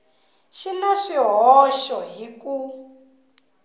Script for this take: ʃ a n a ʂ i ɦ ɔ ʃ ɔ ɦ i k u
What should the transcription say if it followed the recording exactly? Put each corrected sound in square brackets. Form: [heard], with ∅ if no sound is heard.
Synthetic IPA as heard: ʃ [i] n a [ʃ] i ɦ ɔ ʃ ɔ ɦ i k u

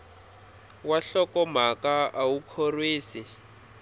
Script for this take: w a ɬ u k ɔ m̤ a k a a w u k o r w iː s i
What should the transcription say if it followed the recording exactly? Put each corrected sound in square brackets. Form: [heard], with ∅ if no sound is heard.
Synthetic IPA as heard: w a ɬ [ɔ] k ɔ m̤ a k a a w u [kʰ] o r w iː s i

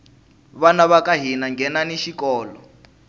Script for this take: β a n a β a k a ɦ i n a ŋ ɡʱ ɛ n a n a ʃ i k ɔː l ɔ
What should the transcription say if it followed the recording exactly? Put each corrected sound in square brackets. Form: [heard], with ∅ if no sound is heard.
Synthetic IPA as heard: β a n a β a k a ɦ i n a ŋ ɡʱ ɛ n a n [i] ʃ i k ɔː l ɔ

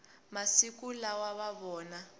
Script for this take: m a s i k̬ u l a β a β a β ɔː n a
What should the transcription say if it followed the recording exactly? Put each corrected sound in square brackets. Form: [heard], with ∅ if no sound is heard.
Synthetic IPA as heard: m a s i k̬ u l a [w] a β a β ɔː n a

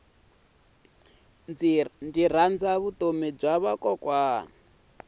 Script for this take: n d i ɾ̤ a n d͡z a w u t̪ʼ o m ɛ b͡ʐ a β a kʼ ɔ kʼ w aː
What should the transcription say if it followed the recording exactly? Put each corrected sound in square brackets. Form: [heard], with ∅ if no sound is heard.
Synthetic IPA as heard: n d i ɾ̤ a n d͡z a [β] u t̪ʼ o m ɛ b͡ʐ a β a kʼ ɔ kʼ w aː

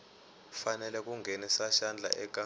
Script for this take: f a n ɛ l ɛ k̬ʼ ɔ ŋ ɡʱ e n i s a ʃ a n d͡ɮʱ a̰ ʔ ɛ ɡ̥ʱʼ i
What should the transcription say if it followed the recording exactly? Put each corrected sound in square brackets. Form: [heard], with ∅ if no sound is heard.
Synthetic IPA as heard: f a n ɛ l ɛ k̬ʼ [u] ŋ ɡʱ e n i s a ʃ a n d͡ɮʱ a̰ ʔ ɛ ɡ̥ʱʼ [a]

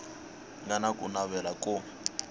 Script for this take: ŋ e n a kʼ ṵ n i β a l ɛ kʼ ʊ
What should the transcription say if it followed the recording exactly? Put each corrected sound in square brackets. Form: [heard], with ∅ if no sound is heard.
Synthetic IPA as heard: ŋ [a] n a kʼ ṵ n [a] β [ɛ] l [a] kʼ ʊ

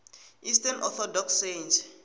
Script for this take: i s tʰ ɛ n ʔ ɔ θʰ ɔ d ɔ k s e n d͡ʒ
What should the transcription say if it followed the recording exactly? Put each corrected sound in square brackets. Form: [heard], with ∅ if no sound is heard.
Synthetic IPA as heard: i s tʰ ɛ n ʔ ɔ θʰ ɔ d ɔ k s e n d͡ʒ

